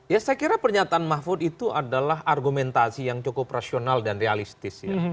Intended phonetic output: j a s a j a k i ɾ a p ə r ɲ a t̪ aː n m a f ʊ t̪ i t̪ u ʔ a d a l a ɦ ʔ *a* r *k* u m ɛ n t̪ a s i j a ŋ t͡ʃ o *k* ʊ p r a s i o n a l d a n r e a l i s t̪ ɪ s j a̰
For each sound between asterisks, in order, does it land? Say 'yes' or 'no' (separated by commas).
yes, no, yes